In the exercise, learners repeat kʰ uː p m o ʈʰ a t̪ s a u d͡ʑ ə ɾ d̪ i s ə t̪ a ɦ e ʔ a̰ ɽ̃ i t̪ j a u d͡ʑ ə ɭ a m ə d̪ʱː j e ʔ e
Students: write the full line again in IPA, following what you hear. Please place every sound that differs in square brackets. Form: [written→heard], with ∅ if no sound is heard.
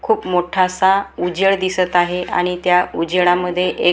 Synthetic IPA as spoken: kʰ uː p m o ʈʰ a [t̪→∅] s a u d͡ʑ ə [ɾ→ɭ] d̪ i s ə t̪ a ɦ e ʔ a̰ ɽ̃ i t̪ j a u d͡ʑ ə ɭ a m ə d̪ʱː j e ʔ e